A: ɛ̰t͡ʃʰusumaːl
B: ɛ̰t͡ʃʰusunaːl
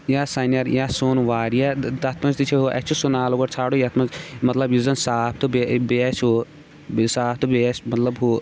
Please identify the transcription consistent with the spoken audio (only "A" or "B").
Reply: B